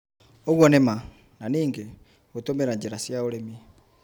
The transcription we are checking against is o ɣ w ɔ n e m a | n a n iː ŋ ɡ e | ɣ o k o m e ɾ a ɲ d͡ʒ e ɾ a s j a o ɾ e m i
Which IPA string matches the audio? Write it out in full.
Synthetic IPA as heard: o ɣ w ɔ n e m a | n a n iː ŋ ɡ e | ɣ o t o m e ɾ a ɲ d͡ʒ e ɾ a s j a o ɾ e m i